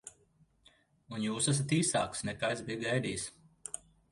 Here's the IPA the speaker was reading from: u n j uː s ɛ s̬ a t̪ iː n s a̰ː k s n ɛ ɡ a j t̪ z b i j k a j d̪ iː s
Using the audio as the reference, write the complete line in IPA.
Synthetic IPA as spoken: u n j uː s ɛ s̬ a t̪ iː s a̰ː k s n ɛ k a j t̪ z b i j ɡ a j d̪ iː s

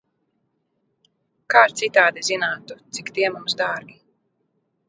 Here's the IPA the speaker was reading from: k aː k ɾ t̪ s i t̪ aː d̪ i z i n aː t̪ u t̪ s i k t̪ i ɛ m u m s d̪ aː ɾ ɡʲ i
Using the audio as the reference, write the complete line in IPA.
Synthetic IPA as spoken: k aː ɾ t̪ s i t̪ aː d̪ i z i n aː t̪ u t̪ s i k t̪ i ɛ m u m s d̪ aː ɾ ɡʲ i

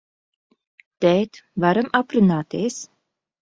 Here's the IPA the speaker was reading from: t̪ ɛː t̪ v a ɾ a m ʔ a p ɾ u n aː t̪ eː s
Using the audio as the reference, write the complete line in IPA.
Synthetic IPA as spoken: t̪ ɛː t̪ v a ɾ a m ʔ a p ɾ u n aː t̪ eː s

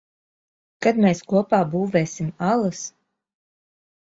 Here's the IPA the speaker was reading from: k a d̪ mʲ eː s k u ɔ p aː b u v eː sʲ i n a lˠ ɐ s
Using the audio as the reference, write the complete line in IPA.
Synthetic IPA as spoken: k a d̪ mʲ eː s k u ɔ p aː b uː v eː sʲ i m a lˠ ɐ s

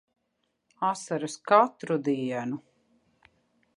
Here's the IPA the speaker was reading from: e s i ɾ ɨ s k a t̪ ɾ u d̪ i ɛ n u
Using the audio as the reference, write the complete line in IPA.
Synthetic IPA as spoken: a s a ɾ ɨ s k a t̪ ɾ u d̪ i ɛ n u

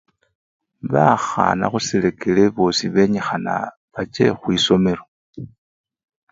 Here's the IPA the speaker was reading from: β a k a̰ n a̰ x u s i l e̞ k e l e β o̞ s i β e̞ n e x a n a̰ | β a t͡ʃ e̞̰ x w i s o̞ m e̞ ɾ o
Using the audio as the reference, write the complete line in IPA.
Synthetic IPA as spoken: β a x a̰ n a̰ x u s i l e̞ k e l e β o̞ s i β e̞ ɲ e x a n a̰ | β a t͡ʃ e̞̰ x w i s o̞ m e̞ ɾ o

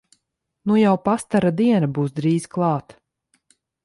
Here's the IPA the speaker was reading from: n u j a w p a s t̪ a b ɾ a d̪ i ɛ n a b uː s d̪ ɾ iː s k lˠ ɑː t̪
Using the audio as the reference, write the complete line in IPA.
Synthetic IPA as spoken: n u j a w p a s t̪ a ɾ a d̪ i ɛ n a b uː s d̪ ɾ iː z k lˠ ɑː t̪

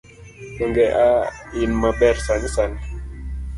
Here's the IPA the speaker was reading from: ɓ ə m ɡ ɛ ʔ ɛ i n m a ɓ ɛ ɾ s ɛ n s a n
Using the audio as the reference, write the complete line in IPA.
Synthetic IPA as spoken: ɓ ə ŋ ɡ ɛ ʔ a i n m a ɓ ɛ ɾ s a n s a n

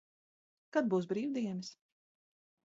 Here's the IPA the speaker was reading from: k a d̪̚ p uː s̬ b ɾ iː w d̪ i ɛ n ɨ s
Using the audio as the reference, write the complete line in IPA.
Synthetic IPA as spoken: k a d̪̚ b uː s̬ b ɾ iː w d̪ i ɛ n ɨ s

